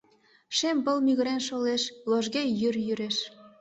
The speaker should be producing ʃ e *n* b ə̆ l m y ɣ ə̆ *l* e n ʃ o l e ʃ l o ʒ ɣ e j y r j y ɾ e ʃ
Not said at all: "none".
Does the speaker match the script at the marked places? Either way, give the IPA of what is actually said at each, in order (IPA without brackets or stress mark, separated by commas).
m, ɾ